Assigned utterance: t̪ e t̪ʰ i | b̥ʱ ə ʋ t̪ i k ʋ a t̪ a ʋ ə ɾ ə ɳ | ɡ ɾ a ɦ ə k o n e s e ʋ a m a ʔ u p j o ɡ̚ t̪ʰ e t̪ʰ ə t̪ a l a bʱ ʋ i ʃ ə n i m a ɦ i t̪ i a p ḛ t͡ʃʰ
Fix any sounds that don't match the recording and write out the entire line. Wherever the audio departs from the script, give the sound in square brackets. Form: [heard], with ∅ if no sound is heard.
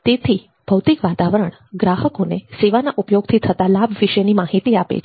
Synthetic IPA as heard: t̪ e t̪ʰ i | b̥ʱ ə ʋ t̪ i k ʋ a t̪ a ʋ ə ɾ ə ɳ | ɡ ɾ a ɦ ə k o n e s e ʋ a [n] a ʔ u p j o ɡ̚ t̪ʰ [i] t̪ʰ ə t̪ a l a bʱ ʋ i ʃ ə n i m a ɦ i t̪ i a p ḛ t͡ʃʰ